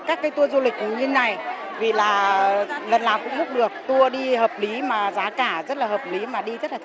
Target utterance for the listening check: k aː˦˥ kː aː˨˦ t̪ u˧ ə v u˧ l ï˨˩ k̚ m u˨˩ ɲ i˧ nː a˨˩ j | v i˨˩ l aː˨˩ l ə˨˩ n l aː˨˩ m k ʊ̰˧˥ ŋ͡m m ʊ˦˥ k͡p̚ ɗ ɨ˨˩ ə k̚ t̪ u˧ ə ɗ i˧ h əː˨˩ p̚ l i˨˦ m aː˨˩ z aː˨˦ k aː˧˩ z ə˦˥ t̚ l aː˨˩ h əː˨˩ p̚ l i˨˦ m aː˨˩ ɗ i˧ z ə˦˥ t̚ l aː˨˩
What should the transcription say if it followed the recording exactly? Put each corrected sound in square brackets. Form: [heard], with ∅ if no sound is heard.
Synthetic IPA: k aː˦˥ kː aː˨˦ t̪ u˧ ə [z] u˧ l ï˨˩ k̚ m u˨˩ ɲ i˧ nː a˨˩ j | v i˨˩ l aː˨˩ l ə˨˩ n l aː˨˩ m k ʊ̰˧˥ ŋ͡m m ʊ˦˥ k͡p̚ ɗ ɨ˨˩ ə k̚ t̪ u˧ ə ɗ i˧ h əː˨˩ p̚ l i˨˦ m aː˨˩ z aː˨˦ k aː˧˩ z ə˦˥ t̚ l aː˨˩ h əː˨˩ p̚ l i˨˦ m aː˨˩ ɗ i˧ z ə˦˥ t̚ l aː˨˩